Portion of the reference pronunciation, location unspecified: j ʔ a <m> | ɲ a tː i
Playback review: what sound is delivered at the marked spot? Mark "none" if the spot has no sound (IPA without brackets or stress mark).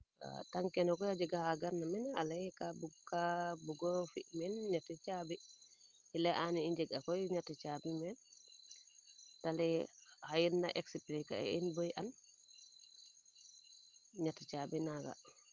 n